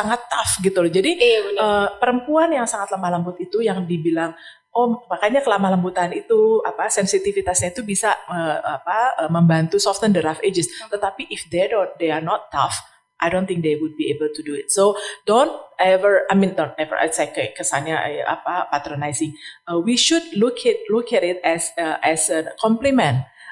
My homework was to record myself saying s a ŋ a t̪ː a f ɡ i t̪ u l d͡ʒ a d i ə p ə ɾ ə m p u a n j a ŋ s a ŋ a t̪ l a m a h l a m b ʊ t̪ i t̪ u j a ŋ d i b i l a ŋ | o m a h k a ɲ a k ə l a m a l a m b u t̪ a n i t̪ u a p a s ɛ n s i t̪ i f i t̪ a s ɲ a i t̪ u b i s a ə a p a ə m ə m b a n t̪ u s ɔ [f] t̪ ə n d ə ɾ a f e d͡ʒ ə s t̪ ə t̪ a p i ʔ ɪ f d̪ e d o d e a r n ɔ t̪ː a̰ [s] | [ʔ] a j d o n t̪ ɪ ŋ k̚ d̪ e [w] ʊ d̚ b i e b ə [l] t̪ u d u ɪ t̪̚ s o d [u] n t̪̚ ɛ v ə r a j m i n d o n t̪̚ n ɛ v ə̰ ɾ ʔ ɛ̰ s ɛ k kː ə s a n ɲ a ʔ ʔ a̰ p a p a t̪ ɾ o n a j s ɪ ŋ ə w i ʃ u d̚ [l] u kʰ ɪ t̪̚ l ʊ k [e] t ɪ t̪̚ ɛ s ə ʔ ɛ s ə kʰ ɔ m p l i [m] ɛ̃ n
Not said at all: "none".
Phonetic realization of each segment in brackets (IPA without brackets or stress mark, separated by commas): f, f, ʔ, w, l, o, l, ɛ, m